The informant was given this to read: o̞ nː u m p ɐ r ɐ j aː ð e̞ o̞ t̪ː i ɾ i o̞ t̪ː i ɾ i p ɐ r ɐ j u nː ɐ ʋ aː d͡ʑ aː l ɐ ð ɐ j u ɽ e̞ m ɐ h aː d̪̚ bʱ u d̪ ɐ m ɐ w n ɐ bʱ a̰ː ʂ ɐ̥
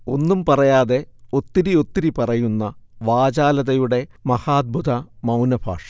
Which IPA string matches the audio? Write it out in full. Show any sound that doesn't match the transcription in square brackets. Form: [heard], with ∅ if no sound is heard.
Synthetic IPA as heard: o̞ nː u m p ɐ r ɐ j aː ð e̞ o̞ t̪ː i ɾ i o̞ t̪ː i ɾ i p ɐ r ɐ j u nː ɐ ʋ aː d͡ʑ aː l ɐ ð ɐ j u ɽ e̞ m ɐ h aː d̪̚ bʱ u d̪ ɐ m ɐ w n ɐ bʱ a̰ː ʂ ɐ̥